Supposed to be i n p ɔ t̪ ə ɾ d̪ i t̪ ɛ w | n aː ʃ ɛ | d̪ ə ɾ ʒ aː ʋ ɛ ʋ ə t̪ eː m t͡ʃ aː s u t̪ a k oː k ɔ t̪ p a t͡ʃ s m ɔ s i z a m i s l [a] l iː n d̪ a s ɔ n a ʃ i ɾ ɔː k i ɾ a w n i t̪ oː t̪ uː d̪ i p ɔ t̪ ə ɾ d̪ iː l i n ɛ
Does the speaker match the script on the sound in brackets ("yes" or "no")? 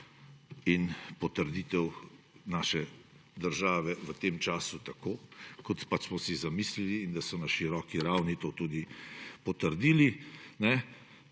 no